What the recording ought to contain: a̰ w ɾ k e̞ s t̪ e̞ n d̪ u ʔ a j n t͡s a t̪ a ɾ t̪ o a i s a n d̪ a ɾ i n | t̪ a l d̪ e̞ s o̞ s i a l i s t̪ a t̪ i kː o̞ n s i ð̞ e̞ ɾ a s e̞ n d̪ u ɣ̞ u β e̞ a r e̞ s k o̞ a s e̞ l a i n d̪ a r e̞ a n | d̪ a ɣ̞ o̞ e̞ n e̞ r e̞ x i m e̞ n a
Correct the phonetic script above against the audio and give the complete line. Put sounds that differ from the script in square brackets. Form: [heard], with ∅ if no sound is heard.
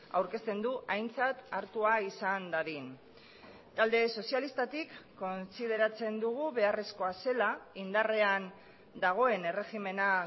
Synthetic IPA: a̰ w ɾ k e̞ s t̪ e̞ n d̪ u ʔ a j n t͡s a t̪ a ɾ t̪ [u] a i s a n d̪ a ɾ i n | t̪ a l d̪ e̞ s o̞ s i a l i s t̪ a t̪ i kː o̞ n s i ð̞ e̞ ɾ a [t͡s] e̞ n d̪ u ɣ̞ u β e̞ a r e̞ s k o̞ a s e̞ l a i n d̪ a r e̞ a n | d̪ a ɣ̞ o̞ e̞ n e̞ r e̞ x i m e̞ n a